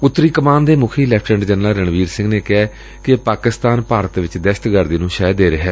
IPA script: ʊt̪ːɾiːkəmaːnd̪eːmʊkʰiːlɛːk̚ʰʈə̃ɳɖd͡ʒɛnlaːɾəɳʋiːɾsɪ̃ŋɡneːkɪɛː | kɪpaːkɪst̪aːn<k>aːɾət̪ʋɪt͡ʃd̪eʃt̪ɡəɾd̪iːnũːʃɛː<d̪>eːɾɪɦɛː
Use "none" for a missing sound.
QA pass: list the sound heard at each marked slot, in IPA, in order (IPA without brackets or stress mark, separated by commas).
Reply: p, d̪